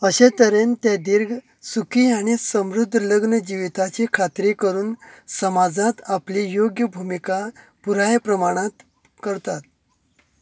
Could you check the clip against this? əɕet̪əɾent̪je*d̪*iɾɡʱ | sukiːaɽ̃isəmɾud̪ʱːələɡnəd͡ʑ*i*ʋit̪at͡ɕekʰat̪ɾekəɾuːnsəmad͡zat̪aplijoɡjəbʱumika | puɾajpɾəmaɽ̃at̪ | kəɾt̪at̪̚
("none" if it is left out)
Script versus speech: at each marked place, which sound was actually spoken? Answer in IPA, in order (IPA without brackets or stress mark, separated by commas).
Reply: d̪, i